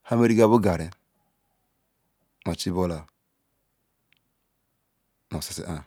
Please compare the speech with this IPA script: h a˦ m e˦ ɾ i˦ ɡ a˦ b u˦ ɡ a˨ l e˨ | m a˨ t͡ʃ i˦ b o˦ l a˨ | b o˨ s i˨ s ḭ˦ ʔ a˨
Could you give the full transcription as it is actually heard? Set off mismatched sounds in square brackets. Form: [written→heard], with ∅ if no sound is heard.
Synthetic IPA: h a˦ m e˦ ɾ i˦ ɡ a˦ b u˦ ɡ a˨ [l→ɾ] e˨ | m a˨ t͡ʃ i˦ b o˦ l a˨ | [b→m] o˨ s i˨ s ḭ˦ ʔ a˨